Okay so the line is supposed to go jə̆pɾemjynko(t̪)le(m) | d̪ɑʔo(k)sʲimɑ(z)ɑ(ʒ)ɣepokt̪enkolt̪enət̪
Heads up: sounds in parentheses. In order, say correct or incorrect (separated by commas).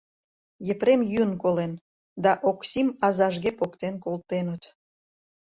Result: incorrect, incorrect, correct, correct, correct